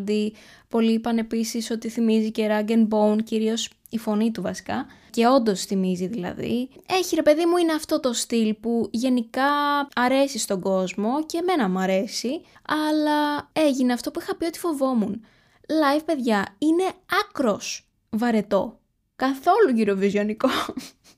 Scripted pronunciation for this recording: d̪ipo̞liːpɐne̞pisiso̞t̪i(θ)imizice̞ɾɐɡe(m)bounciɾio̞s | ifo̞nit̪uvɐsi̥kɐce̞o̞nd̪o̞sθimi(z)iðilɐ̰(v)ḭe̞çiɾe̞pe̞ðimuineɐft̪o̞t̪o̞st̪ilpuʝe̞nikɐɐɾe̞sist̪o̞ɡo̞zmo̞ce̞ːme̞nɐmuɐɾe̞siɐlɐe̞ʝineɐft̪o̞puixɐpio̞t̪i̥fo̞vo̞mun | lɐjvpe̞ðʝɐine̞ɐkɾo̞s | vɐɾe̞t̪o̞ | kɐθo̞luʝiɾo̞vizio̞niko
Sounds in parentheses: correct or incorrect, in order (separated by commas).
correct, incorrect, correct, incorrect